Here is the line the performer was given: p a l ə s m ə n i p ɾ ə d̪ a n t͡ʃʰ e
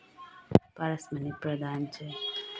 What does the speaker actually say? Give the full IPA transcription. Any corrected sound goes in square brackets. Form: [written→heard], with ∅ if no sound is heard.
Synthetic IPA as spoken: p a [l→ɾ] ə s m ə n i p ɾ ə d̪ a n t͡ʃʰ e